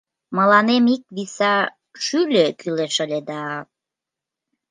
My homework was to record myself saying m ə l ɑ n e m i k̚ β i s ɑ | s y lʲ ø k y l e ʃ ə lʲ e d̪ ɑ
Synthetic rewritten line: m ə l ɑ n e m i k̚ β i s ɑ | ʃ y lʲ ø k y l e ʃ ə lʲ e d̪ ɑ